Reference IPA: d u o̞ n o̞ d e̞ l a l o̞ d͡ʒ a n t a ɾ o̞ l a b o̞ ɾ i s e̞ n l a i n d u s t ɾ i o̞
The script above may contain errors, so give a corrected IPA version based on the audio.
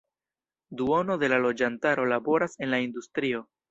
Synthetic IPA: d u o̞ n o̞ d e̞ l a l o̞ d͡ʒ a n t a ɾ o̞ l a b o̞ ɾ a s e̞ n l a i n d u s t ɾ i o̞